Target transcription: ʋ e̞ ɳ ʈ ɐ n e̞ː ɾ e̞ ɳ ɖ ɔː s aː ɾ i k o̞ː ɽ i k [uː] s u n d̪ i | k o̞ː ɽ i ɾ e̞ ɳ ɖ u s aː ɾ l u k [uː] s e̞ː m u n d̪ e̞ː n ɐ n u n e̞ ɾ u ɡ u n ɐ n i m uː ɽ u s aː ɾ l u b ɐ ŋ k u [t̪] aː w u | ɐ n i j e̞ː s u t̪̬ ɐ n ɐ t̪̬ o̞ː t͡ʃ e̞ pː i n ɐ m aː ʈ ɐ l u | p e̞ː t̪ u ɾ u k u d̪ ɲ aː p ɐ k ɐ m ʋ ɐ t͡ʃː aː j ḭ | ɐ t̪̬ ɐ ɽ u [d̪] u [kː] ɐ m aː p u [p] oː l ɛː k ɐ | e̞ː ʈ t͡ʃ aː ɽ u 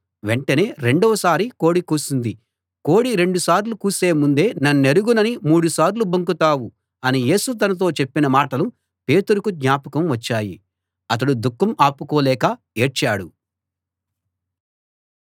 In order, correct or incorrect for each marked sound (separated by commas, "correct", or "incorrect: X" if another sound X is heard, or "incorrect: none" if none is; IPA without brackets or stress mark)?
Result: correct, correct, correct, correct, correct, incorrect: k